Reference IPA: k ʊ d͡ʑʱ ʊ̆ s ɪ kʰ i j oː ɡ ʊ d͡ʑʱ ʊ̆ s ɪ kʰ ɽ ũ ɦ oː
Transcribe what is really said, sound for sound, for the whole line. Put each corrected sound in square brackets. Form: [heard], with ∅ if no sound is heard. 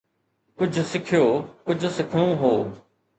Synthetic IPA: k ʊ d͡ʑʱ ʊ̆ s ɪ kʰ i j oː [k] ʊ d͡ʑʱ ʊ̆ s ɪ kʰ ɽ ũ ɦ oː